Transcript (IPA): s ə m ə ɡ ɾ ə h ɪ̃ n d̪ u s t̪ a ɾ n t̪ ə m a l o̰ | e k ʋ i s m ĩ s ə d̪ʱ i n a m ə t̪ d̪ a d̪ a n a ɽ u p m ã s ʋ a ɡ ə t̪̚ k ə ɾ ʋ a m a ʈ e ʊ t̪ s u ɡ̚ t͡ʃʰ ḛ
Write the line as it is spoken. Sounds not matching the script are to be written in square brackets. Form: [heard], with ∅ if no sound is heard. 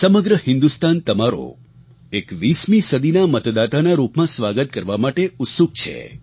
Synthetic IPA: s ə m ə ɡ ɾ ə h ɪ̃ n d̪ u s t̪ a [∅] n t̪ ə m a [ɾ] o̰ | e k ʋ i s m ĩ s ə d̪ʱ i n a m ə t̪ d̪ a [t̪] a n a [ɾ] u p m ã s ʋ a ɡ ə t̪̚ k ə ɾ ʋ a m a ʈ e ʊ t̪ s u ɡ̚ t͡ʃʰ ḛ